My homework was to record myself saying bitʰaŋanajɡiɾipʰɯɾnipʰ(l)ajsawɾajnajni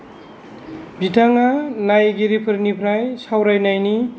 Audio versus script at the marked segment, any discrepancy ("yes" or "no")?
yes